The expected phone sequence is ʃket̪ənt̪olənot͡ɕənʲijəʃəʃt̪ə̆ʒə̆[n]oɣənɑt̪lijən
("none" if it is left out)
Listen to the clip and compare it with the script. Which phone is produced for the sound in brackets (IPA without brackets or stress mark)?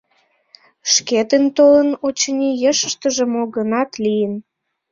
m